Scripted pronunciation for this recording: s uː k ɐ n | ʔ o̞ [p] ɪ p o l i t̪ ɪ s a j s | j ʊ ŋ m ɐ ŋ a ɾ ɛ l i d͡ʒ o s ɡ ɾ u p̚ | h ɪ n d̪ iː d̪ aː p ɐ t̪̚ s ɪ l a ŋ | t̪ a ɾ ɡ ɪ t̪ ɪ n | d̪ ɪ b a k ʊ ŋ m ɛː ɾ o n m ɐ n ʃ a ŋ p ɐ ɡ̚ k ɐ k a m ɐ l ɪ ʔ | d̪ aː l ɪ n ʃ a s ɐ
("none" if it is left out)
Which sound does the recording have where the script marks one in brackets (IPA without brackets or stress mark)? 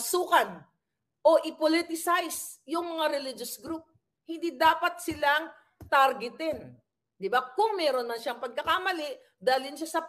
ʔ